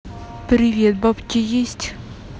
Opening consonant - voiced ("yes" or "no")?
no